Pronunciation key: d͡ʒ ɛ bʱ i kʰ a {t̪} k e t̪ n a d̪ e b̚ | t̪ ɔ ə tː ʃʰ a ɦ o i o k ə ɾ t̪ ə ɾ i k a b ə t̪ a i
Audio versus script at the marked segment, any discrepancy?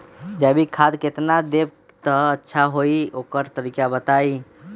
yes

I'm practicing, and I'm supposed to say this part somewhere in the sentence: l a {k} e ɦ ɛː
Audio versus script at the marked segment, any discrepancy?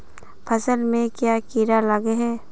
yes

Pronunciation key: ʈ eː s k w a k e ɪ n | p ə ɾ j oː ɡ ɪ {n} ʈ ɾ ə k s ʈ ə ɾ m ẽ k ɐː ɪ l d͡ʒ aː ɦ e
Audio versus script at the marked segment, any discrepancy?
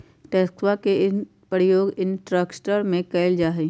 no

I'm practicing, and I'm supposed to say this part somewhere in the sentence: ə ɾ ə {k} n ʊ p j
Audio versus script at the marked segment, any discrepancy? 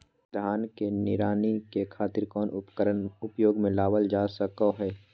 yes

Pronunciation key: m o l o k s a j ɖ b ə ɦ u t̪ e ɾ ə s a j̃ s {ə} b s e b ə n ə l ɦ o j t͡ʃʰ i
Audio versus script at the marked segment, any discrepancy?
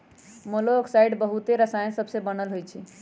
no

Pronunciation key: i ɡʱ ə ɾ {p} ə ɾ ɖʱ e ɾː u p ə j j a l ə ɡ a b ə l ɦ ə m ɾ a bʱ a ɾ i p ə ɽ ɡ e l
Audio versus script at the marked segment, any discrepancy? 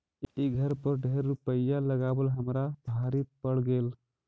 no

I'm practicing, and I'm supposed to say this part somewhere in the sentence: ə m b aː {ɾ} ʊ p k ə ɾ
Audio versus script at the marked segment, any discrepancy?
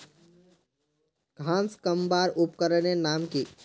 no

